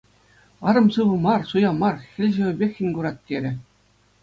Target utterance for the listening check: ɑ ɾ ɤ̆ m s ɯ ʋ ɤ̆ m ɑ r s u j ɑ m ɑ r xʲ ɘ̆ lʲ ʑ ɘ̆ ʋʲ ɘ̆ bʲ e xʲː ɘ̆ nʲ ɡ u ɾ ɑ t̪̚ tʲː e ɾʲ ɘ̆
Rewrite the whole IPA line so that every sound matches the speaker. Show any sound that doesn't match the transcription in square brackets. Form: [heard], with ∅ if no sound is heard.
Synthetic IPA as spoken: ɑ ɾ ɤ̆ m s ɯ ʋ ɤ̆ m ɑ r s u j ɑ m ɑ r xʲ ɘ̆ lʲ ʑ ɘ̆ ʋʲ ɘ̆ bʲ e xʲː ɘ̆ nʲ ɡ u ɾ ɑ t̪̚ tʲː e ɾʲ ɘ̆